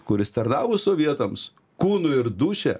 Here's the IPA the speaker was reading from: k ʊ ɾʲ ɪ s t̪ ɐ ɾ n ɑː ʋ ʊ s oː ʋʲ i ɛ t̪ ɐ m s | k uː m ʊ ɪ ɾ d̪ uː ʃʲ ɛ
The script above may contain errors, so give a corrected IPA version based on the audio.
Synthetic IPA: k ʊ ɾʲ ɪ s t̪ ɐ ɾ n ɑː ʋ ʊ s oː ʋʲ i ɛ t̪ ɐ m s | k uː n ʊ ɪ ɾ d̪ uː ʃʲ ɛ

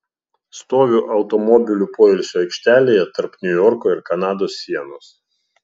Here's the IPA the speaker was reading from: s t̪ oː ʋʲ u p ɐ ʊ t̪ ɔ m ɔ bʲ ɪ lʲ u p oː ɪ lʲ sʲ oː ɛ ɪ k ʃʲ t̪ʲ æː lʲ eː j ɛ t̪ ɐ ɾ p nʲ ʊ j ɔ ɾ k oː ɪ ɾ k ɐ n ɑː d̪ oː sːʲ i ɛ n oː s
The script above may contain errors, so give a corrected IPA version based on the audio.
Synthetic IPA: s t̪ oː ʋʲ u ʔ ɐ ʊ t̪ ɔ m ɔ bʲ ɪ lʲ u p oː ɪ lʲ sʲ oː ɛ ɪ k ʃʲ t̪ʲ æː lʲ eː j ɛ t̪ ɐ ɾ p nʲ ʊ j ɔ ɾ k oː ɪ ɾ k ɐ n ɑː d̪ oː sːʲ i ɛ n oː s

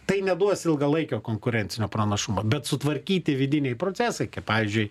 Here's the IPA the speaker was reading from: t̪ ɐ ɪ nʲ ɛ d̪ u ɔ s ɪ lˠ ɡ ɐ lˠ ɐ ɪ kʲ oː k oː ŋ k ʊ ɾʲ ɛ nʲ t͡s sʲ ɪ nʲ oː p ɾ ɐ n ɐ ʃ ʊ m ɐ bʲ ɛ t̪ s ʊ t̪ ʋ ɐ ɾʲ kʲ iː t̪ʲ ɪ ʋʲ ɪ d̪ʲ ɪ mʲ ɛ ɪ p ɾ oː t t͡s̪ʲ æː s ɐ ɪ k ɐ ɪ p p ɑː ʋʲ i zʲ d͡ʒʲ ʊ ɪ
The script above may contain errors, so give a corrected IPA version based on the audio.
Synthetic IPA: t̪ ɐ ɪ nʲ ɛ d̪ u ɔ s ɪ lˠ ɡ ɐ lˠ ɐ ɪ kʲ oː k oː ŋ k ʊ ɾʲ ɛ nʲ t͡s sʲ ɪ nʲ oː p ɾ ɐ n ɐ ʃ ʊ m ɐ bʲ ɛ t̪ s ʊ t̪ ʋ ɐ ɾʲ kʲ iː t̪ʲ ɪ ʋʲ ɪ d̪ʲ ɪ nʲ ɛ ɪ p ɾ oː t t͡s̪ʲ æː s ɐ ɪ k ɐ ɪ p p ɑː ʋʲ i zʲ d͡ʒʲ ʊ ɪ

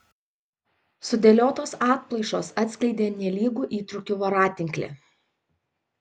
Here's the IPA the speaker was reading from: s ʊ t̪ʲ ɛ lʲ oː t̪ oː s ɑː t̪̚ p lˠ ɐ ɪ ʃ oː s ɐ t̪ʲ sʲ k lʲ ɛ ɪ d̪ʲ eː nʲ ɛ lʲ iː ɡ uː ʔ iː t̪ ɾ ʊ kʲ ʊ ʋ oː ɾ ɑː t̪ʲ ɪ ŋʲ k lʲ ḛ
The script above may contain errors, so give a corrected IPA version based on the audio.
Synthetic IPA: s ʊ d̪ʲ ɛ lʲ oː t̪ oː s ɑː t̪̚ p lˠ ɐ ɪ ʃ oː s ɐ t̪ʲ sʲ k lʲ ɛ ɪ d̪ʲ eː nʲ ɛ lʲ iː ɡ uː ʔ iː t̪ ɾ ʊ kʲ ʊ ʋ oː ɾ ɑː t̪ʲ ɪ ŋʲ k lʲ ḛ

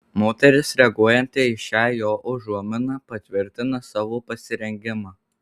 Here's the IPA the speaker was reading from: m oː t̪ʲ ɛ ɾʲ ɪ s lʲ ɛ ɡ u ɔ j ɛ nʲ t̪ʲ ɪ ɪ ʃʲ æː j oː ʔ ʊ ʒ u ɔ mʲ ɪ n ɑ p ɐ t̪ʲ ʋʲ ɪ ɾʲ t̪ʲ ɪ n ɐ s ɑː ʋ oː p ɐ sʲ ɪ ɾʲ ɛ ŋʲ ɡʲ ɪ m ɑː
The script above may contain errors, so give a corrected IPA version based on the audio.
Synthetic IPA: m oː t̪ʲ ɛ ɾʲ ɪ s ɾʲ ɛ ɡ u ɔ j ɛ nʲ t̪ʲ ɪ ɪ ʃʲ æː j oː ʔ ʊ ʒ u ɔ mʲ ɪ n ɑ p ɐ t̪ʲ ʋʲ ɪ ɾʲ t̪ʲ ɪ n ɐ s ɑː ʋ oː p ɐ sʲ ɪ ɾʲ ɛ ŋʲ ɡʲ ɪ m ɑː

